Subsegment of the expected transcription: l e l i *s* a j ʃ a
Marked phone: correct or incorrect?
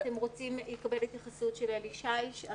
incorrect